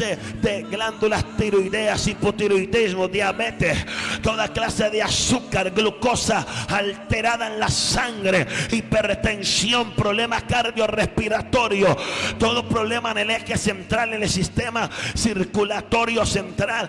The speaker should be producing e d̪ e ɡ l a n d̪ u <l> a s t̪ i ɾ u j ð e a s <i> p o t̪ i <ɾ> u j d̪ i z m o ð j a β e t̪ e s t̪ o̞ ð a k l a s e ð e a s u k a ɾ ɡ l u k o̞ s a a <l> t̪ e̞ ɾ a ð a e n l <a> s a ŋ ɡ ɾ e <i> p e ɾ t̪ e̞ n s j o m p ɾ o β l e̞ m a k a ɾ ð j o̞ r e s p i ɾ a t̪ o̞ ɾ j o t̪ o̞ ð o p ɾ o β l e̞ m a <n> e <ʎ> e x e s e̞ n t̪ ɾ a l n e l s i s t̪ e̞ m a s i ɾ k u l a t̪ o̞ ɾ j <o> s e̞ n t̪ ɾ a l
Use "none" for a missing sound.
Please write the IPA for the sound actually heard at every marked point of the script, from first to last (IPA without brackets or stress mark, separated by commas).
l, i, ɾ, l, a, i, n, l, o